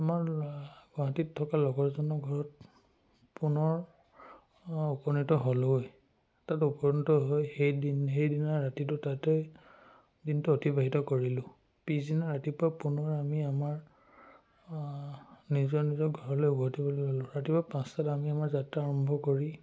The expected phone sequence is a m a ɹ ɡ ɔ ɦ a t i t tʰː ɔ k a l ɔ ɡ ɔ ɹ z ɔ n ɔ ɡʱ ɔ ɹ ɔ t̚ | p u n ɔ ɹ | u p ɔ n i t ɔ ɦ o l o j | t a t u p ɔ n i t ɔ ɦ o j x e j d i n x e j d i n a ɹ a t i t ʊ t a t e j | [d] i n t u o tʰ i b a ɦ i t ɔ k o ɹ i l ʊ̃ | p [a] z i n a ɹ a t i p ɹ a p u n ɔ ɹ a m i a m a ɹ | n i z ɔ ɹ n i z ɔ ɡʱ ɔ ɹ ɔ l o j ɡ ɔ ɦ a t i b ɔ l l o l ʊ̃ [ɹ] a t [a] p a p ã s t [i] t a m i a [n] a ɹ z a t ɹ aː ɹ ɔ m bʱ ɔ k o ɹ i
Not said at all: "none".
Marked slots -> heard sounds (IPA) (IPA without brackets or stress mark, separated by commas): d, i, ɹ, i, a, m